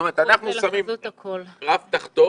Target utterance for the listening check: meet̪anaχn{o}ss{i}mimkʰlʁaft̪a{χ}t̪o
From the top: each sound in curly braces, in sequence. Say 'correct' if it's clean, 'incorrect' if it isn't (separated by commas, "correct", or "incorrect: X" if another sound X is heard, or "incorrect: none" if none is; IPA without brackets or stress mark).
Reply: incorrect: u, incorrect: a, correct